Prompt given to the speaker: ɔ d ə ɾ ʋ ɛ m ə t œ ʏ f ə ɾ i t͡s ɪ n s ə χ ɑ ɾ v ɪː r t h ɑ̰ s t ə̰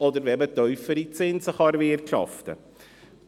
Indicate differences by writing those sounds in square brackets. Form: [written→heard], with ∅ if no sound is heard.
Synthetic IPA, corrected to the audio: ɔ d ə ɾ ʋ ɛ m ə t œ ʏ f ə ɾ i t͡s ɪ n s ə χ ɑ ɾ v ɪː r t [h→ʃ] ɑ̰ [s→f] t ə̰